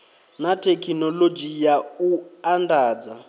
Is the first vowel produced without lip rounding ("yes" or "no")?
yes